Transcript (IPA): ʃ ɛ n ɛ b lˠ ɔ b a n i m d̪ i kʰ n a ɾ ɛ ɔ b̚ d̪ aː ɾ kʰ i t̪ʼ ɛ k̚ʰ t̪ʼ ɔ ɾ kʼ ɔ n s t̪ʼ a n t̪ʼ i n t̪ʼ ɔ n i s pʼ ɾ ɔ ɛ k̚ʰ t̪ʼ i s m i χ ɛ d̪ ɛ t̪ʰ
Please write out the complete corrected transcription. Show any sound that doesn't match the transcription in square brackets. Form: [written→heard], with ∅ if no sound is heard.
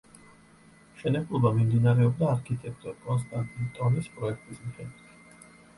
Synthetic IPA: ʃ ɛ n ɛ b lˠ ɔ b a [n→m] i m d̪ i [kʰ→∅] n a ɾ ɛ ɔ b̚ d̪ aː ɾ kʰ i t̪ʼ ɛ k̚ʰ t̪ʼ ɔ ɾ kʼ ɔ n s t̪ʼ a n t̪ʼ i n t̪ʼ ɔ n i s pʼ ɾ ɔ ɛ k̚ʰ t̪ʼ i s m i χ ɛ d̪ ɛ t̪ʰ